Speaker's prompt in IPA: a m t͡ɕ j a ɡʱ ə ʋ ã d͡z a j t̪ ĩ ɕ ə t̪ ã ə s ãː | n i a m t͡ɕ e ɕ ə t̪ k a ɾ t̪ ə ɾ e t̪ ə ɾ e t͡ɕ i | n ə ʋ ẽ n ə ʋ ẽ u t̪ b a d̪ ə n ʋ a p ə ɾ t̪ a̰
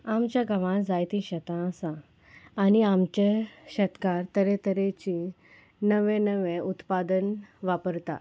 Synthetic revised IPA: a m t͡ɕ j a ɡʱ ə ʋ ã d͡z a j t̪ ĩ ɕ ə t̪ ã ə s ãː | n i a m t͡ɕ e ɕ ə t̪ k a ɾ t̪ ə ɾ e t̪ ə ɾ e t͡ɕ i | n ə ʋ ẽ n ə ʋ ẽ u t̪ p a d̪ ə n ʋ a p ə ɾ t̪ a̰

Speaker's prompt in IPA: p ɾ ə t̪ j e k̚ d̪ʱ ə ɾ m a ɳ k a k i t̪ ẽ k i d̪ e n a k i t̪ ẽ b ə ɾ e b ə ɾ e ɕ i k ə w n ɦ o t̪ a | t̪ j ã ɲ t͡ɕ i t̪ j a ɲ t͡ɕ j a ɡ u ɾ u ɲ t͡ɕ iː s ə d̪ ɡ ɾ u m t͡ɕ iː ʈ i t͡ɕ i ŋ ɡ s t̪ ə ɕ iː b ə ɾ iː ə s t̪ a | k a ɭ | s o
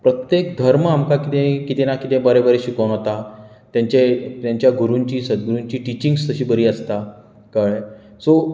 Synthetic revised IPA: p ɾ ə t̪ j e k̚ d̪ʱ ə ɾ m a m k a k i t̪ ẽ k i t̪ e n a k i t̪ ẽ b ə ɾ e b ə ɾ e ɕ i k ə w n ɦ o t̪ a | t̪ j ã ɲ t͡ɕ e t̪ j a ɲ t͡ɕ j a ɡ u ɾ u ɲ t͡ɕ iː s ə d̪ ɡ ɾ u ɲ t͡ɕ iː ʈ i t͡ɕ i ŋ ɡ s t̪ ə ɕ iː b ə ɾ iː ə s t̪ a | k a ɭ | s o

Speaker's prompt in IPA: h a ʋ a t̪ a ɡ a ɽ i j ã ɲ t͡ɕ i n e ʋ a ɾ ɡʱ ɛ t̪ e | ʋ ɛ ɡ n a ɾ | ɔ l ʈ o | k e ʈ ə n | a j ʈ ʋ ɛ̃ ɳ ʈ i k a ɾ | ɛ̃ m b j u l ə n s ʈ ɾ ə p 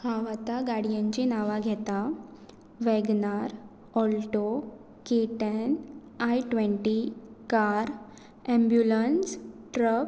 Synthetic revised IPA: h a ʋ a t̪ a ɡ a ɽ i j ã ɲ t͡ɕ i n a ʋ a ɡʱ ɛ t̪ a | ʋ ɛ ɡ n a ɾ | ɔ l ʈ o | k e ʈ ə n | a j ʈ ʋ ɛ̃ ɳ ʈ i k a ɾ | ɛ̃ m b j u l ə n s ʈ ɾ ə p

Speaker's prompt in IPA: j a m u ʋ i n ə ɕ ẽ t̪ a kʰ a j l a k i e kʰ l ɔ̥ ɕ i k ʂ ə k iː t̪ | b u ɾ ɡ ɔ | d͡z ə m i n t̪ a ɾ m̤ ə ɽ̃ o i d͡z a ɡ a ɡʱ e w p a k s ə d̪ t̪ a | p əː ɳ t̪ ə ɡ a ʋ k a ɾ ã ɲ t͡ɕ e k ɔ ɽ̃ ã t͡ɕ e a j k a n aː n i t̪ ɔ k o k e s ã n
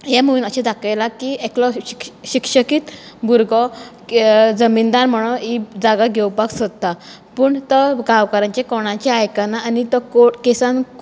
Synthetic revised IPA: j a m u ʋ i n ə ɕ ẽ d̪ a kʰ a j l a k i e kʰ l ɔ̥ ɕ i k ʂ ə k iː t̪ | b u ɾ ɡ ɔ | d͡z ə m i n d̪ a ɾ m̤ ə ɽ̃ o i d͡z a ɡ a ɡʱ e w p a k s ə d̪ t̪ a | p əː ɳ t̪ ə ɡ a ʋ k a ɾ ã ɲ t͡ɕ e k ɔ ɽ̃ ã t͡ɕ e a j k a n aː n i t̪ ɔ k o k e s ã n

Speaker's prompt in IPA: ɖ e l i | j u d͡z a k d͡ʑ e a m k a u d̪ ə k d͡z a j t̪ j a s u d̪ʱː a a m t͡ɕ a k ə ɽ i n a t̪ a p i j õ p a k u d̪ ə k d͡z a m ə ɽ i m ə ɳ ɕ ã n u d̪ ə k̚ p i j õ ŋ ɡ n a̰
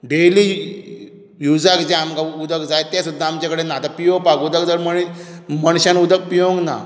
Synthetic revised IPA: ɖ e l i | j u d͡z a k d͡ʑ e a m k a u d̪ ə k d͡z a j t̪ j a s u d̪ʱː a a m t͡ɕ a k ə ɽ e n a t̪ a p i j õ p a k u d̪ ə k d͡z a m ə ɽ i m ə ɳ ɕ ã n u d̪ ə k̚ p i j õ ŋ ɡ n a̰

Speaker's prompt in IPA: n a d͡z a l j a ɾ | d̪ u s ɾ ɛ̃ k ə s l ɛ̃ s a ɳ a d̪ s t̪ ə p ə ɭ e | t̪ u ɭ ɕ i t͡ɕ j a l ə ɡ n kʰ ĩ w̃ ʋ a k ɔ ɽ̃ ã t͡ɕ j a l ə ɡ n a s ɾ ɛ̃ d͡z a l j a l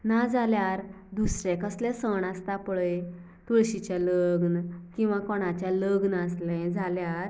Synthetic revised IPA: n a d͡z a l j a ɾ | d̪ u s ɾ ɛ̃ k ə s l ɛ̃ s ə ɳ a s t̪ a p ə ɭ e | t̪ u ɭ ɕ i t͡ɕ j a l ə ɡ n k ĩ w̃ ʋ a k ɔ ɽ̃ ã t͡ɕ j a l ə ɡ n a s l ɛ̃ d͡z a l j a ɾ

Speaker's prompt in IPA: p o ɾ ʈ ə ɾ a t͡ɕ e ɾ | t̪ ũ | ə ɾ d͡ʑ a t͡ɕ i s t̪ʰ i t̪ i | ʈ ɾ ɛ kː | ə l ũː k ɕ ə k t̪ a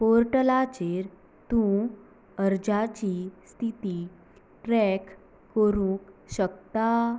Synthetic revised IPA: p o ɾ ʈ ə l a t͡ɕ e ɾ | t̪ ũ | ə ɾ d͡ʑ a t͡ɕ i s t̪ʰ i t̪ i | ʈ ɾ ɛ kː | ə ɾ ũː k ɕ ə k t̪ a

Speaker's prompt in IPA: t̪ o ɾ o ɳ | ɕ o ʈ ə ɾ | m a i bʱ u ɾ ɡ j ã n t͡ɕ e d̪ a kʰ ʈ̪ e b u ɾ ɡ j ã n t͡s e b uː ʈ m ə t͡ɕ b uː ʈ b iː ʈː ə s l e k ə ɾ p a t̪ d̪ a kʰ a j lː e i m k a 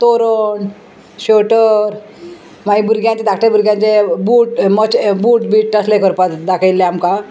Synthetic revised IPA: t̪ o ɾ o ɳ | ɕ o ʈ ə ɾ | m a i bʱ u ɾ ɡ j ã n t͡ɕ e d̪ a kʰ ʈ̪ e b u ɾ ɡ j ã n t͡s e b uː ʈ m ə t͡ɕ b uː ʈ b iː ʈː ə s l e k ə ɾ p a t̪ d̪ a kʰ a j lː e a m k a

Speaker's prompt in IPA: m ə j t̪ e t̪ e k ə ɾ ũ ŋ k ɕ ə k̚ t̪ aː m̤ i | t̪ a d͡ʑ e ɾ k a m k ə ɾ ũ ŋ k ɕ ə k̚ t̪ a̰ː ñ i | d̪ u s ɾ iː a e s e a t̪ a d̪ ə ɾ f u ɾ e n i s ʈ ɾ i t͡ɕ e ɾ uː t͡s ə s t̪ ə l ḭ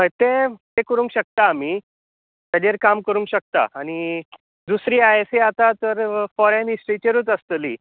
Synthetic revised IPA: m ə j t̪ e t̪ e k ə ɾ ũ ŋ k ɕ ə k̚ t̪ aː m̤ i | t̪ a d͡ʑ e ɾ k a m k ə ɾ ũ ŋ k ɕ ə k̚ t̪ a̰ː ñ i | d̪ u s ɾ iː a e s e a t̪ a t̪ ə ɾ f ɔ ɾ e n i s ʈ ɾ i t͡ɕ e ɾ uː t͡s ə s t̪ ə l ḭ

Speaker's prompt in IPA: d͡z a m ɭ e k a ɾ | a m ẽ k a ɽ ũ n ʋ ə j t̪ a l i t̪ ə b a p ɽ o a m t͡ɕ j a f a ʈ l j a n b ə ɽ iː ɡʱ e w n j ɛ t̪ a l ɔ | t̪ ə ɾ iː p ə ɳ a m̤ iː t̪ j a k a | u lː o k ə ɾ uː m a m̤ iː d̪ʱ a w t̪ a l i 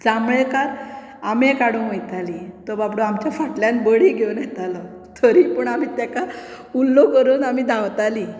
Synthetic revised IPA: d͡z a m ɭ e k a ɾ | a m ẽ k a ɽ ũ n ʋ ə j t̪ a l i t̪ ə b a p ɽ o a m t͡ɕ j a f a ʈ l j a n b ə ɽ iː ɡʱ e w n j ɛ t̪ a l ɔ | t̪ʰ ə ɾ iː p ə ɳ a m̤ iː t̪ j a k a | u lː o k ə ɾ uː n a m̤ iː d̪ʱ a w t̪ a l i

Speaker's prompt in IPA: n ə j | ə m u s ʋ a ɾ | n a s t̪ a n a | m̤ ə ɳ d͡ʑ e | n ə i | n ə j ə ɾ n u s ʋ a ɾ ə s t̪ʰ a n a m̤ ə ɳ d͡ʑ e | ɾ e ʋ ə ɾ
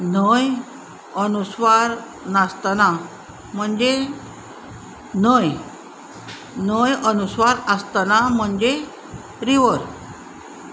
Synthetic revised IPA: n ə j | ə n u s ʋ a ɾ | n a s t̪ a n a | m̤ ə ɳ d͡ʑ e | n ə j | n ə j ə n u s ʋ a ɾ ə s t̪ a n a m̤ ə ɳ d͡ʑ e | ɾ i ʋ ə ɾ

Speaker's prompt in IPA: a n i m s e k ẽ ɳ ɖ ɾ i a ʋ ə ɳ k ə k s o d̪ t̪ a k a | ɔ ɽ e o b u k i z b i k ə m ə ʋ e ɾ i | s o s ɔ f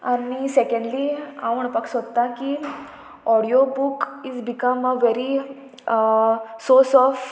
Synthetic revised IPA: a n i s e k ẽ ɳ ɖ l i a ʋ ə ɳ p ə k s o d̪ t̪ a k i | ɔ ɽ i o b u k i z b i k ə m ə ʋ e ɾ i | s o s ɔ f

